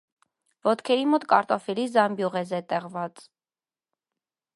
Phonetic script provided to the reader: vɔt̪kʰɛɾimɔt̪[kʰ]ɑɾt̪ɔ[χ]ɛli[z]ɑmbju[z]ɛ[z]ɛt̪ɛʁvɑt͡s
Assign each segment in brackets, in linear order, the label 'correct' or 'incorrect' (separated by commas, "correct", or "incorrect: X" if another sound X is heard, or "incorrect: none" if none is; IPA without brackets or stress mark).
incorrect: k, incorrect: f, correct, incorrect: ʁ, correct